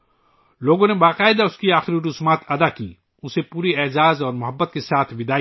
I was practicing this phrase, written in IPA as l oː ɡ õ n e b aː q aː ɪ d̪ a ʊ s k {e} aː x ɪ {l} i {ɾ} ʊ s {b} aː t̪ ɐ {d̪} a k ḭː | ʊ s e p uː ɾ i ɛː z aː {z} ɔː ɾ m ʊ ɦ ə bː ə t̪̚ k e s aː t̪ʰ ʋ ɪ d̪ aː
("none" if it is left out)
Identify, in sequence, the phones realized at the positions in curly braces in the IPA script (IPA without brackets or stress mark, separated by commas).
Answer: i, ɾ, ɾ, m, d̪, z